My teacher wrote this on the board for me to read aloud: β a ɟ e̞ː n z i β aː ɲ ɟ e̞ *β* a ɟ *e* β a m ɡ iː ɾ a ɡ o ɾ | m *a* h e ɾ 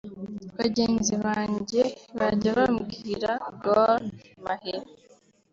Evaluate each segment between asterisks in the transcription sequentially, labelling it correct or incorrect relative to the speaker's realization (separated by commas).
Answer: correct, incorrect, correct